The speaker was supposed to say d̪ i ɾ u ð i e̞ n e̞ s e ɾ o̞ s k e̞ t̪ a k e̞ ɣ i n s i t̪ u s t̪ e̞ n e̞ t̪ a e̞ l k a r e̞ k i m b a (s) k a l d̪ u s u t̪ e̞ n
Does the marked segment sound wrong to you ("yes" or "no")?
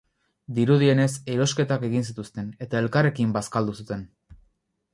no